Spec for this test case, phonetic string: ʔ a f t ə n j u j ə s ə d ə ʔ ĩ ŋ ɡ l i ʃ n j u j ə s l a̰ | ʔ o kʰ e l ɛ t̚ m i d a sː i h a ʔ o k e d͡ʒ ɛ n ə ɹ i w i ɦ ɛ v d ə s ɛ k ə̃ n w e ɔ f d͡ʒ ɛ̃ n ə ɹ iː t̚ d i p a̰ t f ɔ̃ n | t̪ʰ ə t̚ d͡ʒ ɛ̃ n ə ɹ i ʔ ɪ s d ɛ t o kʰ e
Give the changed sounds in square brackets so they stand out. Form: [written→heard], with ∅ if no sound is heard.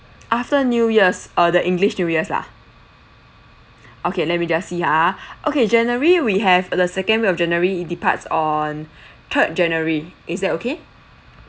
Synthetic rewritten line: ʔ a f t ə n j u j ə s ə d ə ʔ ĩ ŋ ɡ l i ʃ n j u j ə s l a̰ | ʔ o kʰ e l ɛ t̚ m i [d→d͡ʒ] a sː i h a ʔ o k e d͡ʒ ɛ n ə ɹ i w i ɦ ɛ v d ə s ɛ k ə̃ n w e ɔ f d͡ʒ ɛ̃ n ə ɹ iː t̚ d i p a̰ t [f→s] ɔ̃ n | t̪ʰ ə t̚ d͡ʒ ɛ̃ n ə ɹ i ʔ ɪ s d ɛ t o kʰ e